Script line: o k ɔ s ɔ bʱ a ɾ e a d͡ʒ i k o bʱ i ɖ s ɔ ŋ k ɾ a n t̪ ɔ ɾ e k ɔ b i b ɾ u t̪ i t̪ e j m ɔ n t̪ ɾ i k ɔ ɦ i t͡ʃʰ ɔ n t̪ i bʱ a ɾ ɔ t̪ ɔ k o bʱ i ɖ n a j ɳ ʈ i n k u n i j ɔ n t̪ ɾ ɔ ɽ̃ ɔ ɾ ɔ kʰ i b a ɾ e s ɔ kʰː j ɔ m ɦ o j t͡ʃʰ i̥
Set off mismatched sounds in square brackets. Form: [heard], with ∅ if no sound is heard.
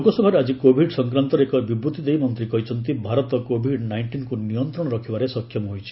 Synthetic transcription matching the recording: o k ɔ s ɔ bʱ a ɾ e a d͡ʒ i k o bʱ i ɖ s ɔ ŋ k ɾ a n t̪ ɔ ɾ e k ɔ b i b ɾ u t̪ i [d̪] e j m ɔ n t̪ ɾ i k ɔ ɦ i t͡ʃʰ ɔ n t̪ i bʱ a ɾ ɔ t̪ ɔ k o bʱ i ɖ n a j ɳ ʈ i n k u n i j ɔ n t̪ ɾ ɔ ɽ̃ ɔ ɾ ɔ kʰ i b a ɾ e s ɔ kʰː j ɔ m ɦ o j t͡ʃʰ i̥